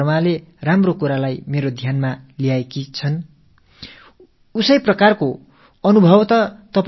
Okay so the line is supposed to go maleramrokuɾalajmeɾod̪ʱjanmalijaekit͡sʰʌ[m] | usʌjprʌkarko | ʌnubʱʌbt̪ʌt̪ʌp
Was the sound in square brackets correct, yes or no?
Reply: no